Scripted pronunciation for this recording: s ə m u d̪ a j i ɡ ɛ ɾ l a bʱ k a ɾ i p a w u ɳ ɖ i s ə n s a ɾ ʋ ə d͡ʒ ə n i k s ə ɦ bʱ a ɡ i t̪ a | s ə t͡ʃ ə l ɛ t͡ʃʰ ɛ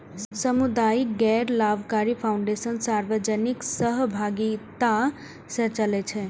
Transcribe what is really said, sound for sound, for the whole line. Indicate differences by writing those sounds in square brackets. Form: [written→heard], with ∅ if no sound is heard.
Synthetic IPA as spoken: s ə m u d̪ a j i ɡ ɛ ɾ l a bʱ k a ɾ i [p→pʰ] a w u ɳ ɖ [i→e] s ə n s a ɾ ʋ ə d͡ʒ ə n i k s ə ɦ bʱ a ɡ i t̪ a | s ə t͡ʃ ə l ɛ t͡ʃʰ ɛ